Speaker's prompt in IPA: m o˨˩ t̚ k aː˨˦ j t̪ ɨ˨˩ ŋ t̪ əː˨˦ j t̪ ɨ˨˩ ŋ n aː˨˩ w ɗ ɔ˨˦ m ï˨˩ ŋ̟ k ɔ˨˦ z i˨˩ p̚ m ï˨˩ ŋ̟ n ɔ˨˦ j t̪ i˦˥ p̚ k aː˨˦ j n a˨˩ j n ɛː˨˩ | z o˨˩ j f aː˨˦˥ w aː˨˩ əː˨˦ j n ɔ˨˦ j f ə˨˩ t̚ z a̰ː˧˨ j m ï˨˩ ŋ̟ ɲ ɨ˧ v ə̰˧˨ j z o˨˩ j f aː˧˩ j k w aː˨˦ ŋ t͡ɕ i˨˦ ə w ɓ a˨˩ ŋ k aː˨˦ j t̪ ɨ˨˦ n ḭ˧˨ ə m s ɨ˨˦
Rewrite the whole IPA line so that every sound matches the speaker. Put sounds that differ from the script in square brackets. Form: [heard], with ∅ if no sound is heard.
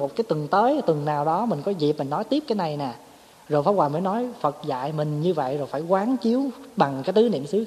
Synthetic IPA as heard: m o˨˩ t̚ k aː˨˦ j t̪ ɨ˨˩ ŋ t̪ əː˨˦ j t̪ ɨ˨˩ ŋ n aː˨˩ w ɗ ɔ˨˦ m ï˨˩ ŋ̟ k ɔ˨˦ z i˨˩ p̚ m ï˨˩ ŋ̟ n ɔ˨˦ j t̪ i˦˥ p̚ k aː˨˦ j n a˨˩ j n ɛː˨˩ | z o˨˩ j f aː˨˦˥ w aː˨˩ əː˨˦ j n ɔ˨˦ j f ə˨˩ t̚ z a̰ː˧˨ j m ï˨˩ ŋ̟ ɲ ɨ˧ v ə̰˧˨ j z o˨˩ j f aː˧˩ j k w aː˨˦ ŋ t͡ɕ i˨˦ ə w ɓ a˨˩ ŋ k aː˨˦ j t̪ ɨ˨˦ n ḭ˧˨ ə m s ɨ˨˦